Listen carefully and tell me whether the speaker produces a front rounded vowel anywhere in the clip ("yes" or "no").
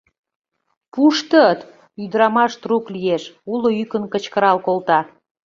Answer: yes